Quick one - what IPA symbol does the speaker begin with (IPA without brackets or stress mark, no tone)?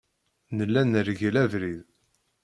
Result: n